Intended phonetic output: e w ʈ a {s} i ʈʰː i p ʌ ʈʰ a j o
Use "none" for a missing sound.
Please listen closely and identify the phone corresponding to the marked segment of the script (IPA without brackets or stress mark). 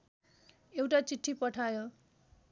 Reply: t͡s